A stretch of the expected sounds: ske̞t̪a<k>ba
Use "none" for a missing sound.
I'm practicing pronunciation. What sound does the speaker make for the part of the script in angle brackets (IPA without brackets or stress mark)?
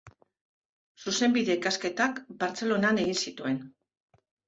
k